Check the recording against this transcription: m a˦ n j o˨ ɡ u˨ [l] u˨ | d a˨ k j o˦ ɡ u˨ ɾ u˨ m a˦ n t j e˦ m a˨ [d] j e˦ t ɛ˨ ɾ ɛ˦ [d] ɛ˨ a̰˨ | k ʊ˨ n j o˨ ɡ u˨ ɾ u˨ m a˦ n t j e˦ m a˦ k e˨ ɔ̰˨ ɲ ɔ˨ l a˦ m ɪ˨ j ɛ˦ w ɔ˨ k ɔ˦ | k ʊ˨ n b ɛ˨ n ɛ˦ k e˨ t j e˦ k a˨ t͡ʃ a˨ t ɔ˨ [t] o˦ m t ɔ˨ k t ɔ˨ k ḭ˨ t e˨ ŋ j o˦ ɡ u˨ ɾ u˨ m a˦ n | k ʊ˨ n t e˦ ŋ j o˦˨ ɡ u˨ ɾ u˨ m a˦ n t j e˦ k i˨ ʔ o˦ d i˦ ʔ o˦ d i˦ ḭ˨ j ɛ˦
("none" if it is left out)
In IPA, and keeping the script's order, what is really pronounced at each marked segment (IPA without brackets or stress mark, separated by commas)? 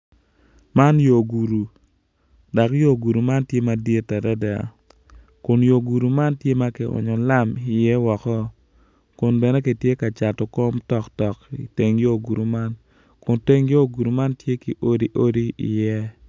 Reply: ɾ, d, d, k